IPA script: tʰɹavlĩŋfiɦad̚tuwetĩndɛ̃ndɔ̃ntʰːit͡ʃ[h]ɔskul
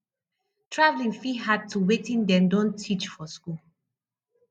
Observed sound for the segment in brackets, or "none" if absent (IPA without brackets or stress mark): f